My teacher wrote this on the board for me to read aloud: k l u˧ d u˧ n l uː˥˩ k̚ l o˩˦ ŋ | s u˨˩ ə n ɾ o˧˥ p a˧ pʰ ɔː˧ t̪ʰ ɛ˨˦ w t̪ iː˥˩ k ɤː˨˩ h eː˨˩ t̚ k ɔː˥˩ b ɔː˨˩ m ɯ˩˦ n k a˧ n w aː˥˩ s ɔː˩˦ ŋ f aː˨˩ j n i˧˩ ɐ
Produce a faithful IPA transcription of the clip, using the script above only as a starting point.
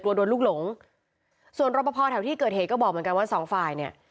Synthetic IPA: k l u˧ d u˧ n l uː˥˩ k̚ l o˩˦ ŋ | s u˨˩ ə n ɾ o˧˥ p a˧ pʰ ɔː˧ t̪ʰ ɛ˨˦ w t̪ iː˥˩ k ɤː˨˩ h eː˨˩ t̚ k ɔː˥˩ b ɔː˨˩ m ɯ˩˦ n k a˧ n w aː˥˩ s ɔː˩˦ ŋ f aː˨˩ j n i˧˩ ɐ